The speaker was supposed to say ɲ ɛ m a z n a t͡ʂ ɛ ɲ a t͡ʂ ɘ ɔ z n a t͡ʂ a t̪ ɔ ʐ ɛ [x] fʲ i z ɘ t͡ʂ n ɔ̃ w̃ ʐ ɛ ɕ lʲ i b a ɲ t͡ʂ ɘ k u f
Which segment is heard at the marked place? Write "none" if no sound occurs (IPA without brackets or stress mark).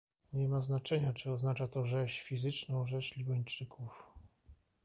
ɕ